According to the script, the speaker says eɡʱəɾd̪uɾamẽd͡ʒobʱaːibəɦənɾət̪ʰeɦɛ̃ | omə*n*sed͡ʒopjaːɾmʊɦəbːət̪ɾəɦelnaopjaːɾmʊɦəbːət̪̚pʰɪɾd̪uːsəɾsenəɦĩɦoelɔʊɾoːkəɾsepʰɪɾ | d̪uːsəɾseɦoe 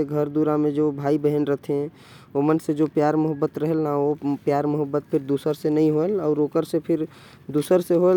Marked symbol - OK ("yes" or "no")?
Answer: yes